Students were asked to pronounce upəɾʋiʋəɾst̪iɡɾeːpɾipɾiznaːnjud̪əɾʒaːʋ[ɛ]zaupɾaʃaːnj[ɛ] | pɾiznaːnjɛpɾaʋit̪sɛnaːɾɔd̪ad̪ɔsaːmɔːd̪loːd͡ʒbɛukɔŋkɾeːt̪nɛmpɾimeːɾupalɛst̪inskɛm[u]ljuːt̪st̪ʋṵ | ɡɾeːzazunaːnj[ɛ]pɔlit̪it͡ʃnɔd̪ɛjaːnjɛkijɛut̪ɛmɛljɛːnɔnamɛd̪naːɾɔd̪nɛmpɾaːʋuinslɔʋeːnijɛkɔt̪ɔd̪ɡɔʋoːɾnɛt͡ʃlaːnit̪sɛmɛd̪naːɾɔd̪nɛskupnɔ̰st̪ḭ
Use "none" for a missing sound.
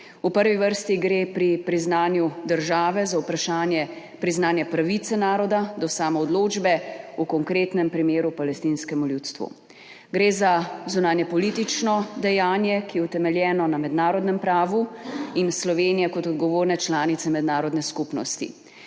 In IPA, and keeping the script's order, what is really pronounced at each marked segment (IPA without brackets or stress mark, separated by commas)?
ɛ, ɛ, u, ɛ